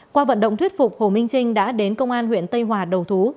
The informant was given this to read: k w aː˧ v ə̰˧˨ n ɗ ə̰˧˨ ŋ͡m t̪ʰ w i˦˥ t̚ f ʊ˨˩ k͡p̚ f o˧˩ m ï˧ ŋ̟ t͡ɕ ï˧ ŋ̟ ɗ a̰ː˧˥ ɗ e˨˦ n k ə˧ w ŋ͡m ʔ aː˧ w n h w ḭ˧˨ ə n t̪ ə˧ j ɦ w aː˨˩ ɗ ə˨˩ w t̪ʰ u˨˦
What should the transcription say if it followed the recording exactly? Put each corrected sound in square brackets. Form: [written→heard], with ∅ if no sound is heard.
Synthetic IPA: k w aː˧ v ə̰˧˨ n ɗ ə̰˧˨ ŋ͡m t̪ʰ w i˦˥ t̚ f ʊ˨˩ k͡p̚ [f→h] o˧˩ m ï˧ ŋ̟ t͡ɕ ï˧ ŋ̟ ɗ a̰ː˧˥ ɗ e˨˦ n k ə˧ w ŋ͡m ʔ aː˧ [w→∅] n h w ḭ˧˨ ə n t̪ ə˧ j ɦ w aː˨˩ ɗ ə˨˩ w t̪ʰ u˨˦

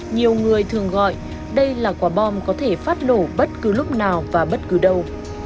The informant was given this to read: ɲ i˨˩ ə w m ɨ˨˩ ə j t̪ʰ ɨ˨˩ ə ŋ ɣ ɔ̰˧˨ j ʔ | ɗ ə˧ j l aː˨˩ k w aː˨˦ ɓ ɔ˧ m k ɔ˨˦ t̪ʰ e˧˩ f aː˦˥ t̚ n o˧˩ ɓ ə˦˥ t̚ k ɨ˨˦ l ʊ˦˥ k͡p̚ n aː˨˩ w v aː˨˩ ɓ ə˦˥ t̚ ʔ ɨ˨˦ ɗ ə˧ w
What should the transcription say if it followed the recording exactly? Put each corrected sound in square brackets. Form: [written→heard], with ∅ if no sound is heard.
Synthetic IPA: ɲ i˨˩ ə w [m→ŋ] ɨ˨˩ ə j t̪ʰ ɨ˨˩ ə ŋ ɣ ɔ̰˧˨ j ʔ | ɗ ə˧ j l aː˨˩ k w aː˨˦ ɓ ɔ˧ m k ɔ˨˦ t̪ʰ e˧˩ f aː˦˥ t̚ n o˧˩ ɓ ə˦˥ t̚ k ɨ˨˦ l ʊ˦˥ k͡p̚ n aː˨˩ w v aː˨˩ ɓ ə˦˥ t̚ [ʔ→k] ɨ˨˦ ɗ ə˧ w

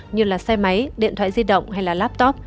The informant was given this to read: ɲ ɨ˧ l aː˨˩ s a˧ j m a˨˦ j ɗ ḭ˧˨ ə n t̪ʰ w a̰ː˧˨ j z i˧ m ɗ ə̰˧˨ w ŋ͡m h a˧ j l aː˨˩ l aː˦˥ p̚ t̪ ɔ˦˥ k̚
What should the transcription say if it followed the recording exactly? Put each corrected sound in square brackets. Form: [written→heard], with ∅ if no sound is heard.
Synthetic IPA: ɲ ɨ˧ l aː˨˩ s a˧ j m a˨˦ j ɗ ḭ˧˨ ə n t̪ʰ w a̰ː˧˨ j z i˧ [m→∅] ɗ ə̰˧˨ w ŋ͡m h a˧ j l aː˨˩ l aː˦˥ p̚ t̪ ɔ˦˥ [k̚→p̚]

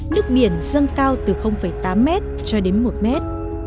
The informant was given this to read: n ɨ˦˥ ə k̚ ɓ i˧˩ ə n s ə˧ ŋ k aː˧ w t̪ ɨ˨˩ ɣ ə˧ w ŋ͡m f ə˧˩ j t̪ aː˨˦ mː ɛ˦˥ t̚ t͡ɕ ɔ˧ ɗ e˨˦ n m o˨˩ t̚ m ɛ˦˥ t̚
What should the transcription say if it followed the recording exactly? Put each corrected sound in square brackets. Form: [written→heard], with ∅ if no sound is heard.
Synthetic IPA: n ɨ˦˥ ə k̚ ɓ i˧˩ ə n [s→z] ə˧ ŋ k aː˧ w t̪ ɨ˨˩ [ɣ→x] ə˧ w ŋ͡m f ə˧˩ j t̪ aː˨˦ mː ɛ˦˥ t̚ t͡ɕ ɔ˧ ɗ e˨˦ n m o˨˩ t̚ m ɛ˦˥ t̚

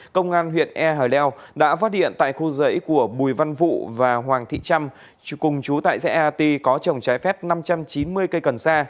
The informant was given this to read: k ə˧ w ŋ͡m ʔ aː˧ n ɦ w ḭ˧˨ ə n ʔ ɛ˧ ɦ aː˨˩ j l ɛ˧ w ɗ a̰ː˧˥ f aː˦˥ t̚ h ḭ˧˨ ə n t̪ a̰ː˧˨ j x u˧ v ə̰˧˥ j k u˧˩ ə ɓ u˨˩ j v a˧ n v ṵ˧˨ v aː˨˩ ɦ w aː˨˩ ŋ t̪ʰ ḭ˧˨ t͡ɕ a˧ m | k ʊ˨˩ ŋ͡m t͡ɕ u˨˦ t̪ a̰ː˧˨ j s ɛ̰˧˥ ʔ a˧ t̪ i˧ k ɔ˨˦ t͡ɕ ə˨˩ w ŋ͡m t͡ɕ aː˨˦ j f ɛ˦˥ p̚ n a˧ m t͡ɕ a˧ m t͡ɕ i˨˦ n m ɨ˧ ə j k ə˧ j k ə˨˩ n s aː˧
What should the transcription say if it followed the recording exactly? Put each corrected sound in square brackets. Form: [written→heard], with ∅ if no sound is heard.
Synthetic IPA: k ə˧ w ŋ͡m ʔ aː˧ n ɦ w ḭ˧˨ ə n ʔ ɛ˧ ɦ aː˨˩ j l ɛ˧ w ɗ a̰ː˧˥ f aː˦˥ t̚ h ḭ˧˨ ə n t̪ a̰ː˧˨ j x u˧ [v→z] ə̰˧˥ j k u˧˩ ə ɓ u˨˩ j v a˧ n v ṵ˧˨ v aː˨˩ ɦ w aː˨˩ ŋ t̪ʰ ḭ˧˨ t͡ɕ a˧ m | k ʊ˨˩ ŋ͡m t͡ɕ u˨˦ t̪ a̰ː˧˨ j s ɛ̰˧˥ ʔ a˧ t̪ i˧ k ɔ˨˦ t͡ɕ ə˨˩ w ŋ͡m t͡ɕ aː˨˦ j f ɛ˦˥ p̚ n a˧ m t͡ɕ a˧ m t͡ɕ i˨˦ n m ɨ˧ ə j k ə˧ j k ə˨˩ n s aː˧

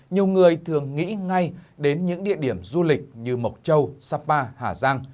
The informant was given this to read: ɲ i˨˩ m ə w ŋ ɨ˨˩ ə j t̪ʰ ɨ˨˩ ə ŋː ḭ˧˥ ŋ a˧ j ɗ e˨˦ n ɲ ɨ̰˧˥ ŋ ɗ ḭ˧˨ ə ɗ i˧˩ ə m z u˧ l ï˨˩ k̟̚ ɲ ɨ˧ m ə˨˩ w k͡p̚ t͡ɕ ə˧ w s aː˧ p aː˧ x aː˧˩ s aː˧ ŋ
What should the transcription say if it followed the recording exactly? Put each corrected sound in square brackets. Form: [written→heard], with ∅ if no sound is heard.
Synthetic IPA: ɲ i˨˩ [m→∅] ə w ŋ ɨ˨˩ ə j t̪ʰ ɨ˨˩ ə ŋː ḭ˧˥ ŋ a˧ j ɗ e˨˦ n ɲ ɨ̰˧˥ ŋ ɗ ḭ˧˨ ə ɗ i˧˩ ə m z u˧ l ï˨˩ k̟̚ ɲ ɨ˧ m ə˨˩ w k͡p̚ t͡ɕ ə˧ w s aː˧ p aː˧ [x→h] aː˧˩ [s→z] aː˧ ŋ

